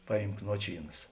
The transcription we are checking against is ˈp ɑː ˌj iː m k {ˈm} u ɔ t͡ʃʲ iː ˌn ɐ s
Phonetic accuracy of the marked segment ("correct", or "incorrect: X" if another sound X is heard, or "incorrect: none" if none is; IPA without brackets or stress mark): incorrect: n